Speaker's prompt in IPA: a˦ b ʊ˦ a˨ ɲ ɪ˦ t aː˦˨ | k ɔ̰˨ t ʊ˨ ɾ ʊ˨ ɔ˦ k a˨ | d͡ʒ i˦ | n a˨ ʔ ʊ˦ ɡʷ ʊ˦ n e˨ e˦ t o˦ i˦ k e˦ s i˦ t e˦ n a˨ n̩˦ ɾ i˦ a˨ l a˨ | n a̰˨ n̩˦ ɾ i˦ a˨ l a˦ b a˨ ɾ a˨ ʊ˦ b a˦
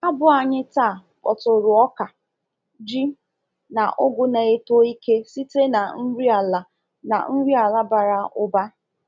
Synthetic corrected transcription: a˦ b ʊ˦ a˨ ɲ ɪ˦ t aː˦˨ | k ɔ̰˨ t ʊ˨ ɾ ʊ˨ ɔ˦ k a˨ | d͡ʒ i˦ | n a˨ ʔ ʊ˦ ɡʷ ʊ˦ n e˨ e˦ t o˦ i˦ k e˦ s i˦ t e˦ n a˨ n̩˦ ɾ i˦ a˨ l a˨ | n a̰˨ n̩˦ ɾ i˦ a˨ l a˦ b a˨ ɾ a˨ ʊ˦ b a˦